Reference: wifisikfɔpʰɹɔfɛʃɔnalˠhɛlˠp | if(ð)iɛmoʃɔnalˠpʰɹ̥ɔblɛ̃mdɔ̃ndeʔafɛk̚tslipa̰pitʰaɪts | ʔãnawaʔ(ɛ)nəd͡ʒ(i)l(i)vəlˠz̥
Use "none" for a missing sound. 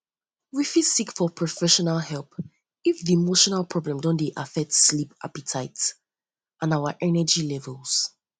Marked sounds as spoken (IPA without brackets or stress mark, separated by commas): ð, ɛ, i, ɛ